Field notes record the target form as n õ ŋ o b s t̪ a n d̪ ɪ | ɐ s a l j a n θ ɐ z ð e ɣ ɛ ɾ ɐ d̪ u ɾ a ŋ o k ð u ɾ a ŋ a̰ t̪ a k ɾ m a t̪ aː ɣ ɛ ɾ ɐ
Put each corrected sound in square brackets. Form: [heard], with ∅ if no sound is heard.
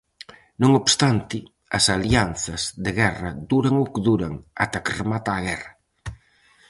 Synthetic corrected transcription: n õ ŋ o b s t̪ a n [t̪] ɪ | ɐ s a l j a n θ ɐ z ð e ɣ ɛ [r] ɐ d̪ u ɾ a ŋ o k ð u ɾ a ŋ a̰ t̪ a k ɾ m a t̪ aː ɣ ɛ [r] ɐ